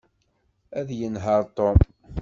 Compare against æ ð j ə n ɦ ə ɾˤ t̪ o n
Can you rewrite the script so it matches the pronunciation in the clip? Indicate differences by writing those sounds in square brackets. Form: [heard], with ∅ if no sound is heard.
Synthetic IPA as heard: æ ð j ə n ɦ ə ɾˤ t̪ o [m]

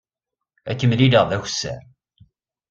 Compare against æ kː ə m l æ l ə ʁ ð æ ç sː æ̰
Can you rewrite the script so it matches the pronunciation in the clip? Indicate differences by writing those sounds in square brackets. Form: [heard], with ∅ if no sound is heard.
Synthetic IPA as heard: æ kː ə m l [i] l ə ʁ ð æ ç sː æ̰

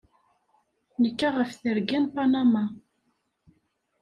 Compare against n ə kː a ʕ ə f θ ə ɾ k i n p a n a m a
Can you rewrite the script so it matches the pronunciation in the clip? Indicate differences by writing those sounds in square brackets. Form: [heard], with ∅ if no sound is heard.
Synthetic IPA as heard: n ə kː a [ʁ] ə f θ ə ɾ [ɡ] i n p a n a m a

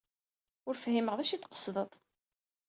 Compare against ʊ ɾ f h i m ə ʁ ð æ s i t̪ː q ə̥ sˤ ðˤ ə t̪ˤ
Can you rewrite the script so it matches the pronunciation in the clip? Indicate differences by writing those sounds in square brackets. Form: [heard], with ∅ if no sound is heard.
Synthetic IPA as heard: ʊ ɾ f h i m ə ʁ ð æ [ʃ] i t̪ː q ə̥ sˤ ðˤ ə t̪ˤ

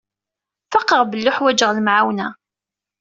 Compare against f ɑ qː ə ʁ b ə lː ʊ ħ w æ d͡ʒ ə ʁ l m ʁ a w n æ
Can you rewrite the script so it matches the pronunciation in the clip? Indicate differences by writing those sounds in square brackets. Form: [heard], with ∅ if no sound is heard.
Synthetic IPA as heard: f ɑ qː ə ʁ b ə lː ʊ ħ w æ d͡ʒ ə ʁ l m [ʕ] a w n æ

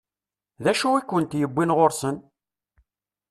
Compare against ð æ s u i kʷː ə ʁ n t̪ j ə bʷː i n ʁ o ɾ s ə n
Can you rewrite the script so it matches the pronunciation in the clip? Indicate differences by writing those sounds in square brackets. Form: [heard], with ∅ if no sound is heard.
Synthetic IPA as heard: ð æ [ʃ] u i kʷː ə [∅] n t̪ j ə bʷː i n ʁ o ɾ s ə n

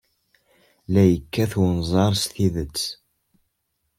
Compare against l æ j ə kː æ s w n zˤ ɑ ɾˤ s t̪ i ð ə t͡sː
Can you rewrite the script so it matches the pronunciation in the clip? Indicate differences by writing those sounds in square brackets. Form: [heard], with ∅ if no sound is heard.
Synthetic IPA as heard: l æ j ə kː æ [θ] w n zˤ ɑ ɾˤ s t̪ i ð ə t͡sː

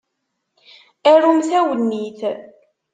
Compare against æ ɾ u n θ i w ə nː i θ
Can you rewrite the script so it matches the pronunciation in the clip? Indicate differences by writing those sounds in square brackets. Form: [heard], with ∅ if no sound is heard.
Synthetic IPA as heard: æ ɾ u [m] θ [æ] w ə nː i θ

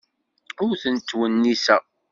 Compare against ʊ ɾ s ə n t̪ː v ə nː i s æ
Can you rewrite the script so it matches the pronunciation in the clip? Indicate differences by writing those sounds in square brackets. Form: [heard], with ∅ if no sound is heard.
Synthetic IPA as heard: ʊ ɾ [θ] ə n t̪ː [w] ə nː i s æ

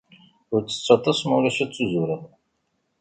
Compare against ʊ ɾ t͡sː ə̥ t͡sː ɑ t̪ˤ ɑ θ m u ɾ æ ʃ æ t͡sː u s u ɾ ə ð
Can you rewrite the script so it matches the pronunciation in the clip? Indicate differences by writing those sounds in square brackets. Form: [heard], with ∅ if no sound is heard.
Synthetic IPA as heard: ʊ ɾ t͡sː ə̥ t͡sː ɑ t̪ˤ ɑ [s] m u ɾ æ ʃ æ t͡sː u [z] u ɾ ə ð

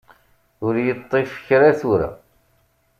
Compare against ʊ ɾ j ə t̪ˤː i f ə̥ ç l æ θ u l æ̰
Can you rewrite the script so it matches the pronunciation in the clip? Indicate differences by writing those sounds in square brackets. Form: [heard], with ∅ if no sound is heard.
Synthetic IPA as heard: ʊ ɾ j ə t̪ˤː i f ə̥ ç [ɾ] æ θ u [ɾ] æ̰

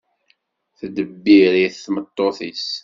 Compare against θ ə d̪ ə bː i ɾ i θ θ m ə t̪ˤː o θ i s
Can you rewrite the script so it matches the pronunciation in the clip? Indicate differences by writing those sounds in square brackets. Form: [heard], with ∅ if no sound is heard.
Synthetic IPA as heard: θ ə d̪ ə bː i ɾ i θ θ m ə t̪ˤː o θ i s

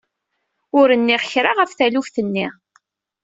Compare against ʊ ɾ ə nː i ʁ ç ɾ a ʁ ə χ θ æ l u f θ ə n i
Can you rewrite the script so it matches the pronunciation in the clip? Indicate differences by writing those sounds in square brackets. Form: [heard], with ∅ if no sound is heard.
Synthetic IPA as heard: ʊ ɾ ə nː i ʁ ç ɾ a ʁ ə [f] θ æ l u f θ ə [nː] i

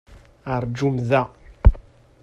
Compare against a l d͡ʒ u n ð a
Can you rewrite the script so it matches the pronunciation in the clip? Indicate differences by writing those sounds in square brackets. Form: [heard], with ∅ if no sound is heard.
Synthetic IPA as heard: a [ɾ] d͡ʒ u [m] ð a

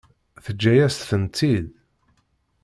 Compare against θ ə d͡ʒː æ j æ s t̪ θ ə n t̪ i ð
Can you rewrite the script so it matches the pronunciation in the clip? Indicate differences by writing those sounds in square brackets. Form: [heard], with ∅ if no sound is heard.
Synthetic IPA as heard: θ ə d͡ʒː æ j æ s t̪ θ ə n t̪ i ð

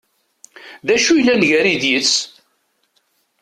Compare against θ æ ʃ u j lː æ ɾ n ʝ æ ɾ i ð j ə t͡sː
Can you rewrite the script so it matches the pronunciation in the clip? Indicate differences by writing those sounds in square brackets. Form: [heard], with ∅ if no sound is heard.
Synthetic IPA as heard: [ð] æ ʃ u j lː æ [∅] n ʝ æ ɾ i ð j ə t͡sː

